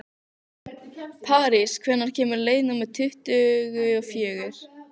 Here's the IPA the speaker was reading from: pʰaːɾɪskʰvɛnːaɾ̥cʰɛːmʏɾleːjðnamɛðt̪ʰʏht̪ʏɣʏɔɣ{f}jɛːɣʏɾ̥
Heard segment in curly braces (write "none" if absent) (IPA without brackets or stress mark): f